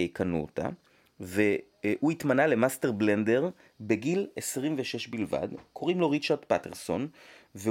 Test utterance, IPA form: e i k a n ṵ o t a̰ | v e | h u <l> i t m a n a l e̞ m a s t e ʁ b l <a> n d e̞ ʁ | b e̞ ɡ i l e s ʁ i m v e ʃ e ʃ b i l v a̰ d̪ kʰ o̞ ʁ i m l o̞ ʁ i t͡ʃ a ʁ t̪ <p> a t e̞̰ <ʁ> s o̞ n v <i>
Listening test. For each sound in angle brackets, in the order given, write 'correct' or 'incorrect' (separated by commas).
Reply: incorrect, incorrect, correct, correct, incorrect